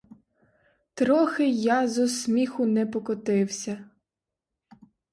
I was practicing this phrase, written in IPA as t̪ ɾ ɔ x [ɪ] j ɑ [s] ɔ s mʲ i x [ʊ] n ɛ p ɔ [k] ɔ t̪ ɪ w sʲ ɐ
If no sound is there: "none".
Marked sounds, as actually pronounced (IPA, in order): ɪ, z, ʊ, k

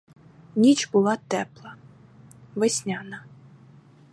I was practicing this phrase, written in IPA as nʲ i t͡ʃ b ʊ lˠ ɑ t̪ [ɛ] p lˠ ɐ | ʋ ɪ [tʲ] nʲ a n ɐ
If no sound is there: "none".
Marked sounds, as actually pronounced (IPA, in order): ɛ, sʲ

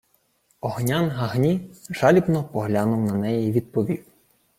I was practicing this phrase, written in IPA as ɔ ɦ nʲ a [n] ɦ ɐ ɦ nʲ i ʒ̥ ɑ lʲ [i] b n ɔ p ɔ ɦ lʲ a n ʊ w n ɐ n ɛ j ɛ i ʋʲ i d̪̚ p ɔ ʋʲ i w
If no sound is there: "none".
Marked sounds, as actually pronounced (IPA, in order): n, i

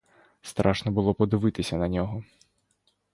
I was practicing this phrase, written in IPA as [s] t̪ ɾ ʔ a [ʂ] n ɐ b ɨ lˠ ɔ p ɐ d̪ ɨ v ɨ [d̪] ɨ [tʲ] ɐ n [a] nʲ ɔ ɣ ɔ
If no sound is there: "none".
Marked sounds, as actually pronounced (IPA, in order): s, ʂ, t̪, sʲ, ɐ

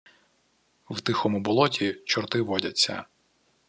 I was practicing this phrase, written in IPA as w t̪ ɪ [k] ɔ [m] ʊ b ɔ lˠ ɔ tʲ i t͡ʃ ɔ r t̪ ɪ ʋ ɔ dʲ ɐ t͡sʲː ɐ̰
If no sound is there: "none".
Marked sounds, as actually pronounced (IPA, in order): x, m

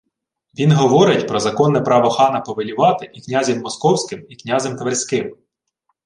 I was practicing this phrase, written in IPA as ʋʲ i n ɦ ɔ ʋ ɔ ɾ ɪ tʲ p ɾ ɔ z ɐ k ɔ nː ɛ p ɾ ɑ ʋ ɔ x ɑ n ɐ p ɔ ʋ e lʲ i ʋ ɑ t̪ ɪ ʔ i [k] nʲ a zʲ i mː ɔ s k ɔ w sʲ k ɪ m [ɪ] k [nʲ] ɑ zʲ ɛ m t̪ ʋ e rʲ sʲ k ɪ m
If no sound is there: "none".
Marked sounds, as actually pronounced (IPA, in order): k, i, nʲ

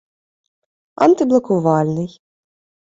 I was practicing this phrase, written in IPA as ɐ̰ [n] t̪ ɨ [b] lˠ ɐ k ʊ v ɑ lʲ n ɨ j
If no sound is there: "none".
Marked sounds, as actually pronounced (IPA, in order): n, b

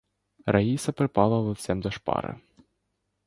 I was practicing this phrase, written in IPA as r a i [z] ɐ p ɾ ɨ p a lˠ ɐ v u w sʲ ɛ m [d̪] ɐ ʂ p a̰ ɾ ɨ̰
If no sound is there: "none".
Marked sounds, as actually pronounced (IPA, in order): s, d̪

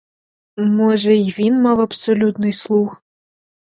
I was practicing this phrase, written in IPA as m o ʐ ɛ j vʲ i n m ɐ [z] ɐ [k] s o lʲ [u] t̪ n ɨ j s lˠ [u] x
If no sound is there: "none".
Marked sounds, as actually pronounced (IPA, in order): v, p, u, u

